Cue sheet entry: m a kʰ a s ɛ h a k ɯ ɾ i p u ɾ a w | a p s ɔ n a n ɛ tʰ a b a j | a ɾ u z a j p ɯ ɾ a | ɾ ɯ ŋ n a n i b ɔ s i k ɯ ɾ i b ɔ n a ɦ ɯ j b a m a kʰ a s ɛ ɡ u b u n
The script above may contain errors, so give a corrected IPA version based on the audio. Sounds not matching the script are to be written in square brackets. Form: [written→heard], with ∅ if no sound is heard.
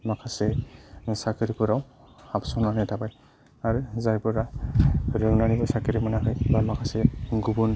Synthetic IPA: m a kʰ a s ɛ [h→s] a k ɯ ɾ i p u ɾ a w | a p s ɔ n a n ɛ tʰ a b a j | a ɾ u z a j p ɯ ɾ a | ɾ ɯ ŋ n a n i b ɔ s [i→a] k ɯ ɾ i [b→m] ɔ n a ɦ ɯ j b a m a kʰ a s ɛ ɡ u b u n